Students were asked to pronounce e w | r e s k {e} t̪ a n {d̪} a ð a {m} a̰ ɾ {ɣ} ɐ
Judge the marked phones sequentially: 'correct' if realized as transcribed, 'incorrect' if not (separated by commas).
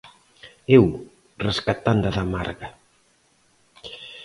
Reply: incorrect, correct, correct, correct